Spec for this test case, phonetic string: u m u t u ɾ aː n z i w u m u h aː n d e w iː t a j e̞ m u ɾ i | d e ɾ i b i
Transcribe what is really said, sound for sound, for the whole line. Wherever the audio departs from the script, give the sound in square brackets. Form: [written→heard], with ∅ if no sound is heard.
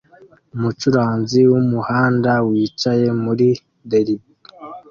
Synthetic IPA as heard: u m u [t→t͡ʃ] u ɾ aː n z i w u m u h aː n d [e→a] w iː [t→t͡ʃ] a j e̞ m u ɾ i | d e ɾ i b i

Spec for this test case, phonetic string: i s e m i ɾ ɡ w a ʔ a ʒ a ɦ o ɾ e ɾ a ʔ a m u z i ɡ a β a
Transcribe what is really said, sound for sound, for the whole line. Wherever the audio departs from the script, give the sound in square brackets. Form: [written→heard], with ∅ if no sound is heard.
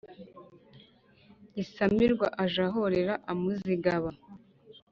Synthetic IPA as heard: i s [e→a] m i ɾ ɡ w a ʔ a ʒ a ɦ o ɾ e ɾ a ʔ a m u z i ɡ a β a

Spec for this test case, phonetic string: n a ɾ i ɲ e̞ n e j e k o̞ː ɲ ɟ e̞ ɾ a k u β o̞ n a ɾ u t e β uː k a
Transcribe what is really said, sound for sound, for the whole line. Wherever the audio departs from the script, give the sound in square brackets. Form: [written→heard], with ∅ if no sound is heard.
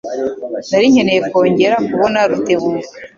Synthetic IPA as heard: n a ɾ i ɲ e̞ n e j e k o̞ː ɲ ɟ e̞ ɾ a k u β o̞ n a ɾ u t e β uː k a

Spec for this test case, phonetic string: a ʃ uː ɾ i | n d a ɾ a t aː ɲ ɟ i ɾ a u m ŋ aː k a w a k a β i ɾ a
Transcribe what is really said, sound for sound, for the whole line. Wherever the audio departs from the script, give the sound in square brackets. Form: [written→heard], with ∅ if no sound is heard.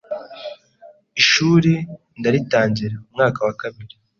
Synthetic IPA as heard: [a→i] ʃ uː ɾ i | n d a ɾ [a→i] t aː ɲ ɟ i ɾ a u m ŋ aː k a w a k a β i ɾ [a→i]

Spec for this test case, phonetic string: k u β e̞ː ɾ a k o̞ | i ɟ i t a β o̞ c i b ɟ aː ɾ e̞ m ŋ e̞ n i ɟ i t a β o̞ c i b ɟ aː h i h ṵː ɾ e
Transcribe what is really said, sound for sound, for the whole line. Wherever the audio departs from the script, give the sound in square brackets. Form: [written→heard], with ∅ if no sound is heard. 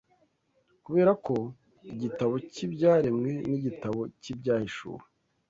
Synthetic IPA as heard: k u β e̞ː ɾ a k o̞ | i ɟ i t a β o̞ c i b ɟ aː ɾ e̞ m ŋ e̞ n i ɟ i t a β o̞ c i b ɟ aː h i [h→ʃ] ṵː ɾ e

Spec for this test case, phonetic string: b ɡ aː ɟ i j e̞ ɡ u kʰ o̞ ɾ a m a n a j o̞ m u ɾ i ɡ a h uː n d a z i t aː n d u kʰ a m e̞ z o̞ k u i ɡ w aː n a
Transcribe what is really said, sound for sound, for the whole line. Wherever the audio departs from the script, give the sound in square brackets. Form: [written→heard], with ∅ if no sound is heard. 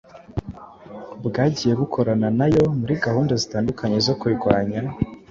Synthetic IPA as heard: b ɡ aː ɟ i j e̞ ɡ u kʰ o̞ ɾ a [m→n] a n a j o̞ m u ɾ i ɡ a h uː n d a z i t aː n d u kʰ a [m→ɲ] e̞ z o̞ k u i ɡ w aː [n→ɲ] a

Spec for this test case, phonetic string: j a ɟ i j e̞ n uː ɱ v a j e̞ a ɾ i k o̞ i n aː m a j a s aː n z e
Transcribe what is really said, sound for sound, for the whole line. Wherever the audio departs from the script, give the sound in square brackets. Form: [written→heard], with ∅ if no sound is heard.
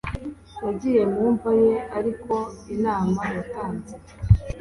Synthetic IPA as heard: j a ɟ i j e̞ [n→m] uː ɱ v a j e̞ a ɾ i k o̞ i n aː m a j a [s→t] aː n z e

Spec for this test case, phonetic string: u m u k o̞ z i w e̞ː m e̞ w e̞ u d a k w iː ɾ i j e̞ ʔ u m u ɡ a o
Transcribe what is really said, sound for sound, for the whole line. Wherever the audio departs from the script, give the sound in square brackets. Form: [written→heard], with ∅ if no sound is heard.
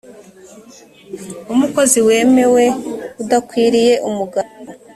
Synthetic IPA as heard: u m u k o̞ z i w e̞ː m e̞ w e̞ u d a k w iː ɾ i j e̞ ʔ u m u ɡ a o

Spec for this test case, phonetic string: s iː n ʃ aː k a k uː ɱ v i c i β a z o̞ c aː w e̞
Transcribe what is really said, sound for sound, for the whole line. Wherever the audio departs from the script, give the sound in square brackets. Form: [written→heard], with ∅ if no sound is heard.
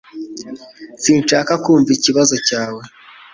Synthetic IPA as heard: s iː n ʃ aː k a k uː ɱ v i c i β a z o̞ c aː w e̞

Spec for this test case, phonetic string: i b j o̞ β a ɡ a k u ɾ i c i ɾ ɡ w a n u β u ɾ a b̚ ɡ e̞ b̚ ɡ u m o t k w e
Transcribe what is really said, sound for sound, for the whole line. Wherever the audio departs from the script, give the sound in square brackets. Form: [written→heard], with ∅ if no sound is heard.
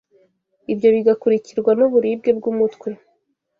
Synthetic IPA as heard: i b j o̞ β [a→i] ɡ a k u ɾ i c i ɾ ɡ w a n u β u ɾ [a→i] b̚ ɡ e̞ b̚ ɡ u m [o→u] t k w e

